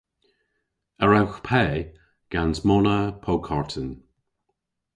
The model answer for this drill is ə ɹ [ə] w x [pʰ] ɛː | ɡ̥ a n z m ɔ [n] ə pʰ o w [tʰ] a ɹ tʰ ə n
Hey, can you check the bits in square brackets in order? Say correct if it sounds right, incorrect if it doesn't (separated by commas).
incorrect, correct, correct, incorrect